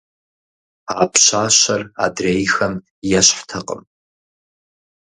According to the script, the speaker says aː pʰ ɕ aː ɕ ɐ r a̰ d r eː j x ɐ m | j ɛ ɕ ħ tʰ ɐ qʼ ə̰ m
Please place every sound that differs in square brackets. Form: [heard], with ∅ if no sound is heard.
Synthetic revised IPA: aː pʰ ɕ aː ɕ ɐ r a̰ d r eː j x ɐ m | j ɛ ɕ ħ tʰ ɐ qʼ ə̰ m